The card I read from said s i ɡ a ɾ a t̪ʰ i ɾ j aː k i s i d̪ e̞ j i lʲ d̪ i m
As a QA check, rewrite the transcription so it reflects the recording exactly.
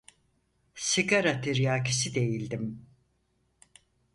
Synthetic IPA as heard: s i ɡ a ɾ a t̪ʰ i ɾ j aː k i s i d̪ e̞ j i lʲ d̪ i m